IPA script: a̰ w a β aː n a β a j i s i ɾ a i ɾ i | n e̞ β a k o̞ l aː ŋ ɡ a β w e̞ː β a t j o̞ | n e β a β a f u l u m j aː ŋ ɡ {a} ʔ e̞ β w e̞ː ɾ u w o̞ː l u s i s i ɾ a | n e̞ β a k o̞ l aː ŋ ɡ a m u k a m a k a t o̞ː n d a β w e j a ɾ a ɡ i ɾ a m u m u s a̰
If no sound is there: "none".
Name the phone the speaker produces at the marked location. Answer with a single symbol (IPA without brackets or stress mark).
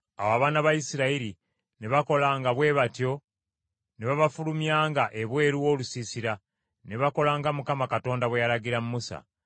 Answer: a